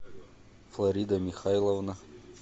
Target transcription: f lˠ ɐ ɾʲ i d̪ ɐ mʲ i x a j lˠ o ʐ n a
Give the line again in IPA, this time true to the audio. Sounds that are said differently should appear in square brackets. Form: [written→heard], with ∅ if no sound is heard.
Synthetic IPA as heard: f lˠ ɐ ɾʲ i d̪ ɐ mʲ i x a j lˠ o [ʐ→v] n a